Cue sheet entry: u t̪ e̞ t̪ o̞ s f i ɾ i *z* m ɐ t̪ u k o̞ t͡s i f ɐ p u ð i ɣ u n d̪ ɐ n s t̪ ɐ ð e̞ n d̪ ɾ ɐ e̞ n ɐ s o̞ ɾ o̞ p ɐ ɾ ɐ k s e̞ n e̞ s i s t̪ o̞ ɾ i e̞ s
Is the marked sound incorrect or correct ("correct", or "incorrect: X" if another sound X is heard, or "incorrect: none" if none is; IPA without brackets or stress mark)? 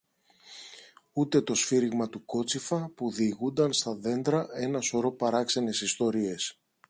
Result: incorrect: ɣ